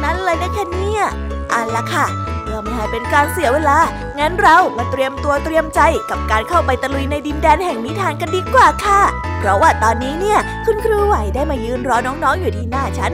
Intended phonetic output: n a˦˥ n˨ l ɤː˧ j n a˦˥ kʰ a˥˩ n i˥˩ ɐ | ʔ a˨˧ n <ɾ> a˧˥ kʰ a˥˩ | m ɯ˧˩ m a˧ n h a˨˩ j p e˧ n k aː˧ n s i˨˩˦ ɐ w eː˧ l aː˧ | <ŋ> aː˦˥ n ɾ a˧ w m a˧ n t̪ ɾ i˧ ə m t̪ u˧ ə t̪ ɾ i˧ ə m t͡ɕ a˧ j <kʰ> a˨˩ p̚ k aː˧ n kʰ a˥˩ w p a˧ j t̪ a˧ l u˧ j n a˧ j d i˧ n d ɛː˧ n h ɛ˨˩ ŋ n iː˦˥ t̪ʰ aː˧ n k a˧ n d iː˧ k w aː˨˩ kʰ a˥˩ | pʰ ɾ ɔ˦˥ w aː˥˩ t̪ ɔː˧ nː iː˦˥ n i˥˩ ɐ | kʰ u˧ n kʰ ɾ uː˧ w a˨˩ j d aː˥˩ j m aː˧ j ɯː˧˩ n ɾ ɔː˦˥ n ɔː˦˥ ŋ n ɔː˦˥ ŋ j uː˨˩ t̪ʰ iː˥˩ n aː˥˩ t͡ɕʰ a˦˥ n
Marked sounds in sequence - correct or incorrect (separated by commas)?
incorrect, correct, incorrect